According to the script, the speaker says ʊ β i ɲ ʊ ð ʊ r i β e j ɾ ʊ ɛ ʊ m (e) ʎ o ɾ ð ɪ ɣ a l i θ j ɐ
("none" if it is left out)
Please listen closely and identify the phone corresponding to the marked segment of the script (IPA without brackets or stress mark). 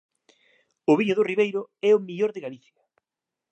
i